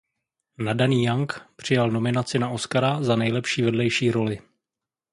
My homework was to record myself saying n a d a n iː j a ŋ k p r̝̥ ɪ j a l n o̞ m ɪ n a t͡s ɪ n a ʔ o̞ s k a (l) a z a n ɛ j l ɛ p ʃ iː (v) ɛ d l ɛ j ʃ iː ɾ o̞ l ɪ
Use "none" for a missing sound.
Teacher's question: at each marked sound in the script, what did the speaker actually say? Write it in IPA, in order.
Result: ɾ, v

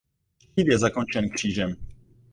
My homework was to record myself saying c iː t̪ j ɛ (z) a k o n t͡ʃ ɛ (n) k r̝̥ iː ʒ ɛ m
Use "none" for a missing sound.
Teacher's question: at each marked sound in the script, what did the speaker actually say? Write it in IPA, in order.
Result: z, n

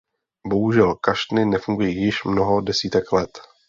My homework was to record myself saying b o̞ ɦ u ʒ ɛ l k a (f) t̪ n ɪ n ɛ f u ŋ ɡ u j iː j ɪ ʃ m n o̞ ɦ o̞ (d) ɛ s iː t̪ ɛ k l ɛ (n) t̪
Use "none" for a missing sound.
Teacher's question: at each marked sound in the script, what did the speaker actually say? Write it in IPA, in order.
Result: ʃ, d, none

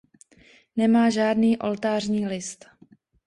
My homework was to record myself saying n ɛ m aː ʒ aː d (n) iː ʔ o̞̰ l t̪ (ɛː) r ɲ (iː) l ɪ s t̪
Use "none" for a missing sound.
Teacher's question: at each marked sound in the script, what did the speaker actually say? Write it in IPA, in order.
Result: n, aː, iː

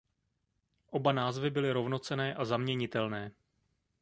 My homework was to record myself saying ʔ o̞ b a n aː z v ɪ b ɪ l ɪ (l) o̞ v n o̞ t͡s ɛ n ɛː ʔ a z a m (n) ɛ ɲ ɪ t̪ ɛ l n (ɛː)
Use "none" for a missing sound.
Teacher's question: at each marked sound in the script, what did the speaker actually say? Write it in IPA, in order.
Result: ɾ, ɲ, ɛː

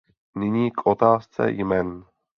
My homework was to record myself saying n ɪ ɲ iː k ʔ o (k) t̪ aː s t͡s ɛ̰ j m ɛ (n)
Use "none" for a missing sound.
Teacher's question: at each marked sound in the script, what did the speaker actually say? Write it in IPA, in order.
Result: none, n

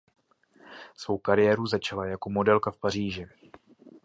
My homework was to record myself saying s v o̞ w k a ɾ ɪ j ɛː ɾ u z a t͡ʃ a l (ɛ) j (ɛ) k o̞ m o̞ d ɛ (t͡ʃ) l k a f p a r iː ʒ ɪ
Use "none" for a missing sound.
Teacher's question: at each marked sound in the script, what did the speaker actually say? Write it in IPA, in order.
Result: a, a, none

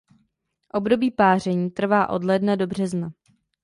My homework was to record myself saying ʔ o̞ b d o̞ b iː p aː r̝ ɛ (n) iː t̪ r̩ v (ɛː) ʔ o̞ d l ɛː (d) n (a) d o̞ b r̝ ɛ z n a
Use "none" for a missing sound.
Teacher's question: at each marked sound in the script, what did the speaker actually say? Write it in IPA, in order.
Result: ɲ, aː, d, a

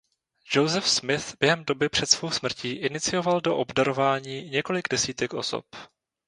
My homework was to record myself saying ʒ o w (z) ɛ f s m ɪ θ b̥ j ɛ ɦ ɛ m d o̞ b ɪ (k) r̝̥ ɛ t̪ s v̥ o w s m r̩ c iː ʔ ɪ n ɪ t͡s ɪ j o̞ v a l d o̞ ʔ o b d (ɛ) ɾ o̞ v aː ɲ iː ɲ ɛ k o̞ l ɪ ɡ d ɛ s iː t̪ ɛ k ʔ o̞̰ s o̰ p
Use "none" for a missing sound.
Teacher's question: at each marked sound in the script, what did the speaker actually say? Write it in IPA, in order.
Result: z, p, a

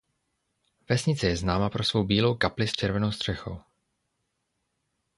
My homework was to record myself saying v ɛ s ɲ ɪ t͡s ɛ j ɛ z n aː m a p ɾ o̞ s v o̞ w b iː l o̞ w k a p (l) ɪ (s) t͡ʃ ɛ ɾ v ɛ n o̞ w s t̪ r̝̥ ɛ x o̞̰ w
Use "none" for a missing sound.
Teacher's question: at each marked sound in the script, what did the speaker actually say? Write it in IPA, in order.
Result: l, s

